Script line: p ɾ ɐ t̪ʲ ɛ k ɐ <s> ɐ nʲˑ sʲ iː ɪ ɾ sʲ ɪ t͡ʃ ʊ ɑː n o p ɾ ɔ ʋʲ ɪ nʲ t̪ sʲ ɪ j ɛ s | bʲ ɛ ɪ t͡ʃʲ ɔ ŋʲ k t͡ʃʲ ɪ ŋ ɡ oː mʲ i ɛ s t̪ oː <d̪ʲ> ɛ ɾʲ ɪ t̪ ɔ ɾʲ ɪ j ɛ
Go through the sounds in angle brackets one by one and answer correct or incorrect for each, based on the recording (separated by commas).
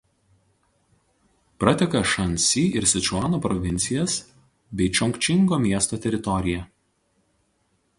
incorrect, incorrect